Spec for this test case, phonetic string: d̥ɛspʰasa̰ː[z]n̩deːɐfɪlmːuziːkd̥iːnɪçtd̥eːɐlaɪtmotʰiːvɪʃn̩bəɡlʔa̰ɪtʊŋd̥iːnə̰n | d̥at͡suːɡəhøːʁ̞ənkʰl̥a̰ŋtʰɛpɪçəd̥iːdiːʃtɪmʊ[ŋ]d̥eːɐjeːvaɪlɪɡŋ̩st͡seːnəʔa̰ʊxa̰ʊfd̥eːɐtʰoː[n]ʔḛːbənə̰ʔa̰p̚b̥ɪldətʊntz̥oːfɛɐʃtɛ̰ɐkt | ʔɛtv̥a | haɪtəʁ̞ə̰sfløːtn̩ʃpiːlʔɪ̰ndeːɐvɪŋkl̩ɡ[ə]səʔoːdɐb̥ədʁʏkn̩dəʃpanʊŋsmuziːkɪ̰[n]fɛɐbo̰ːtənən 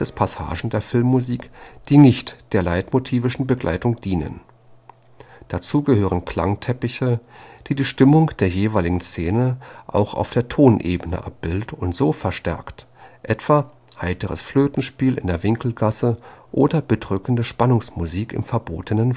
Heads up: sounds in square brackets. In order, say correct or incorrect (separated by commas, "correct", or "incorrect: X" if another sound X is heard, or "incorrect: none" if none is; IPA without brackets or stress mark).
incorrect: ʒ, correct, correct, incorrect: a, incorrect: m